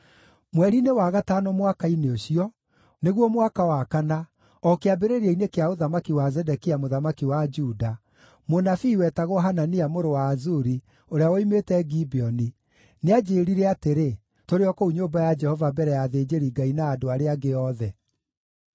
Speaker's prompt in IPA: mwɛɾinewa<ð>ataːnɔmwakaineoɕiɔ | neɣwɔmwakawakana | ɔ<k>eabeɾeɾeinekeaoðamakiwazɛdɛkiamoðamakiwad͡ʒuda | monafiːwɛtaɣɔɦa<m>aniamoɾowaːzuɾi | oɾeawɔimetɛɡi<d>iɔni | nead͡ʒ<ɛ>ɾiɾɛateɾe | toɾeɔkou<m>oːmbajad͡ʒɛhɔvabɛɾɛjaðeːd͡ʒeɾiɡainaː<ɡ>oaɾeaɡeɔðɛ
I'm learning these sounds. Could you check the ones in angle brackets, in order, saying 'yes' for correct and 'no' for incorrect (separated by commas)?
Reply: no, yes, no, no, no, no, no